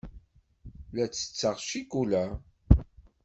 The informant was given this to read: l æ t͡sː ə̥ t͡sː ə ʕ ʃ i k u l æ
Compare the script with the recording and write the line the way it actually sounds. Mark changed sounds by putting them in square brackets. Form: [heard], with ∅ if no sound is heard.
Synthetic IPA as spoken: l æ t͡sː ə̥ t͡sː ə [ʁ] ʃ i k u l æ